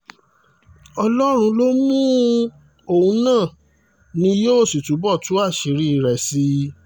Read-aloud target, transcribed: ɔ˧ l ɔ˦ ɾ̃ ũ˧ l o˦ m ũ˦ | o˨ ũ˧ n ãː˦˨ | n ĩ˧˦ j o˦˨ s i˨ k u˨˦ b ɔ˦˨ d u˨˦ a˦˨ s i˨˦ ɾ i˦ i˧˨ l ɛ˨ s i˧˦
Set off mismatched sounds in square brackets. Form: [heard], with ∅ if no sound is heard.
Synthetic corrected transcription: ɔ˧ l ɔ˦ ɾ̃ ũ˧ l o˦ m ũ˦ | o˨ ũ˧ n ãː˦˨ | n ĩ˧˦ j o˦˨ s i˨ [t] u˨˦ b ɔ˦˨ [t] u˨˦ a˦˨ [ʃ] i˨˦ ɾ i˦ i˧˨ [ɾ] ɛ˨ s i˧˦

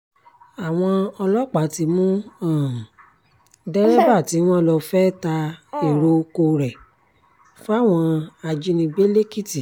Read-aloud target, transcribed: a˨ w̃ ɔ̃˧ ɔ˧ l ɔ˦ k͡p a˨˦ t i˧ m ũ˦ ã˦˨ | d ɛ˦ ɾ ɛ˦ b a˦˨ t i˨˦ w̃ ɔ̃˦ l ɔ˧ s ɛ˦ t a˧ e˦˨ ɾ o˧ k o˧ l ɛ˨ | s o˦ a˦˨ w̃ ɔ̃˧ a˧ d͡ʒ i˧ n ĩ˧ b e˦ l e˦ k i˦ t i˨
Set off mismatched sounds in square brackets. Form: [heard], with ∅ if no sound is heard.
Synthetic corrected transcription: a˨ w̃ ɔ̃˧ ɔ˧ l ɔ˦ k͡p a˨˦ t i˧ m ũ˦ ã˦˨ | d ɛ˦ ɾ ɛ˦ b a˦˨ t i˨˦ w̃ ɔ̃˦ l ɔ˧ [f] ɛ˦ t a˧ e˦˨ ɾ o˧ k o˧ [ɾ] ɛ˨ | [f] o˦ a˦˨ w̃ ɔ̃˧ a˧ d͡ʒ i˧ n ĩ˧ b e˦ l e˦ k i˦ t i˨

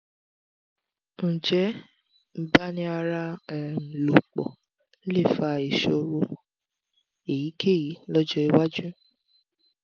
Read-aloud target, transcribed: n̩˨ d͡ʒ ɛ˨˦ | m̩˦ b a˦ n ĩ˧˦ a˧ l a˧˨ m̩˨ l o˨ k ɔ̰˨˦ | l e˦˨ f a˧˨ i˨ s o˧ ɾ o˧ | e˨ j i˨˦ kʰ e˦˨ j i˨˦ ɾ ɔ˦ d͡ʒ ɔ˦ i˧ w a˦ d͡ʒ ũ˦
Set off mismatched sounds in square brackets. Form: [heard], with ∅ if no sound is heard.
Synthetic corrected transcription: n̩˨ d͡ʒ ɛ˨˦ | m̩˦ b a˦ n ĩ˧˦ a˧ [ɾ] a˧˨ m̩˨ l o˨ [k͡p] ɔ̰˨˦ | l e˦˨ f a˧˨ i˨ [ʃ] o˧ ɾ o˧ | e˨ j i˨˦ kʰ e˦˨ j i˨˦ [l] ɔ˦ d͡ʒ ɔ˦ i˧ w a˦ d͡ʒ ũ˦

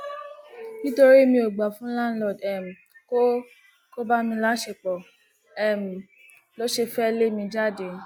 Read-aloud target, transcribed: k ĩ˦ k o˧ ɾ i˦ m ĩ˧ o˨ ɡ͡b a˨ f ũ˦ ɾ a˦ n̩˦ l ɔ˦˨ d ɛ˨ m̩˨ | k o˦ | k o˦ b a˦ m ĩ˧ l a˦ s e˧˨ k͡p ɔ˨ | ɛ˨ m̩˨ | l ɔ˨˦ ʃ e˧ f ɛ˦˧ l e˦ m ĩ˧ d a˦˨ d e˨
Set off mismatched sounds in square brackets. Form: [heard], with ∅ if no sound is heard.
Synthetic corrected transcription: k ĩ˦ [t] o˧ ɾ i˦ m ĩ˧ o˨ ɡ͡b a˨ f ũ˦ [l] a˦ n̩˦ l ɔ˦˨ d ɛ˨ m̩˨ | k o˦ | k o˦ b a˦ m ĩ˧ l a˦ [ʃ] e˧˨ k͡p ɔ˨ | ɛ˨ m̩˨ | l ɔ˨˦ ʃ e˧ f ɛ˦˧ l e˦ m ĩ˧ [d͡ʒ] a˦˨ d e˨

